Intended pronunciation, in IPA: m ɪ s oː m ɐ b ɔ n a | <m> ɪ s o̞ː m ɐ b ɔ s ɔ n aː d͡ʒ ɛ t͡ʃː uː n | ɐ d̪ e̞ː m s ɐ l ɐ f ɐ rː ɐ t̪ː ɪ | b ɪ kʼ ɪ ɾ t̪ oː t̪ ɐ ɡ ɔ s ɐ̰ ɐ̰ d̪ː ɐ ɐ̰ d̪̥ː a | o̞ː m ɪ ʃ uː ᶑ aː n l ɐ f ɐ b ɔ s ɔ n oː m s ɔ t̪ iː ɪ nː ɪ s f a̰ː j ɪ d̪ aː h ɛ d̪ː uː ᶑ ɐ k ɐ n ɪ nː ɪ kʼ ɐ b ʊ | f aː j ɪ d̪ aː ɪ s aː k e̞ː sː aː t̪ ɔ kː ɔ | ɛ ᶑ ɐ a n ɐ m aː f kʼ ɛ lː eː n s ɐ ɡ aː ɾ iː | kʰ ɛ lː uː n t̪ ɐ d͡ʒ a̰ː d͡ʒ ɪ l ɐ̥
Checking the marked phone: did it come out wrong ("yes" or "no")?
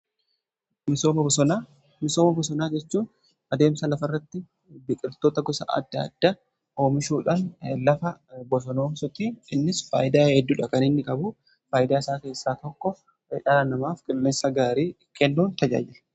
no